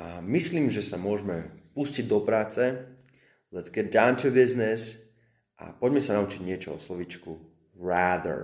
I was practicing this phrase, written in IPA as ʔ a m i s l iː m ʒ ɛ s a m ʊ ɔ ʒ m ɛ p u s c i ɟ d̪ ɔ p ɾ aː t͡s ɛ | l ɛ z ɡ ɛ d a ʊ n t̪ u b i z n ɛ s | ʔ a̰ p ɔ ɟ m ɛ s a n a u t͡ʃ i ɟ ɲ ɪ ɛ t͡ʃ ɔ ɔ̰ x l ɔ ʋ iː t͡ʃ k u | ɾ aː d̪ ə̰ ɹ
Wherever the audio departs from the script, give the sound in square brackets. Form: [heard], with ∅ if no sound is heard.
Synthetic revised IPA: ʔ a m i s l iː m ʒ ɛ s a m ʊ ɔ ʒ m ɛ p u s c i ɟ d̪ ɔ p ɾ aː t͡s ɛ | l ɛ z ɡ ɛ d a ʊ n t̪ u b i z n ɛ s | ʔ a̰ p ɔ ɟ m ɛ s a n a u t͡ʃ i ɟ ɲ ɪ ɛ t͡ʃ ɔ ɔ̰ [s] l ɔ ʋ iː t͡ʃ k u | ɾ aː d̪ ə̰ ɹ